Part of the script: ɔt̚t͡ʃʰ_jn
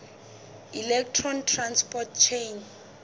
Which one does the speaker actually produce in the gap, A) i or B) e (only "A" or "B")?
B